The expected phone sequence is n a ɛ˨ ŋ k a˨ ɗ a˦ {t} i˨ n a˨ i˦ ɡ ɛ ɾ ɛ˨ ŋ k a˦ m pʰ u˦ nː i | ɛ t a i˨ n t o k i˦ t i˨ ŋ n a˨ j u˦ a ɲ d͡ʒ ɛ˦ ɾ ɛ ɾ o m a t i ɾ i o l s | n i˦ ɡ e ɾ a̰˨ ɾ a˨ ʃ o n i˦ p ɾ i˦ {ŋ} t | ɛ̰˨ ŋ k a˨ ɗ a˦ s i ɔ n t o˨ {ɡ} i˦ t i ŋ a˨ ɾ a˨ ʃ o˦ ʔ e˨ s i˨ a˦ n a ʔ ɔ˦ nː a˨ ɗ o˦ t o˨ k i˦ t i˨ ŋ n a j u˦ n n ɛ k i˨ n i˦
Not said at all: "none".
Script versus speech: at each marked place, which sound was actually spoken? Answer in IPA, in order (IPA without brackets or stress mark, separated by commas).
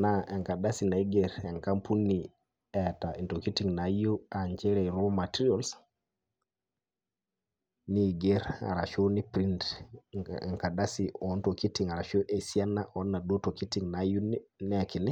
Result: s, n, k